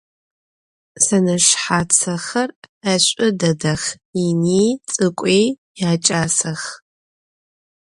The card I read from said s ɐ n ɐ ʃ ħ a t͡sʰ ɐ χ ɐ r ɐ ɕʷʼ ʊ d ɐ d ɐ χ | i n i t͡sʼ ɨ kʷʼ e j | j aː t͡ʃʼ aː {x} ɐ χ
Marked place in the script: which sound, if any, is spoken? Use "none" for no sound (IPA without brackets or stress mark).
s